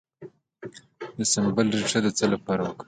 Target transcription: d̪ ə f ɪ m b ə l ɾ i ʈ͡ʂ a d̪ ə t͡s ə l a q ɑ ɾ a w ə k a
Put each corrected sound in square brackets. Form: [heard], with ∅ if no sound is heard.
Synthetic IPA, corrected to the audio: d̪ ə [s] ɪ m b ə l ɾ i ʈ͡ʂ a d̪ ə t͡s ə l a [p] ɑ ɾ a w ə k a